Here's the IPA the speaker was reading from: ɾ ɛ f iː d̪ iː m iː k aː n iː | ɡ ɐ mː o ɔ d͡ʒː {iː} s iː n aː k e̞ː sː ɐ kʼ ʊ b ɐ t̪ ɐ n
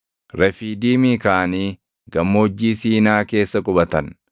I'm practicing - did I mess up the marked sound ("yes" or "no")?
no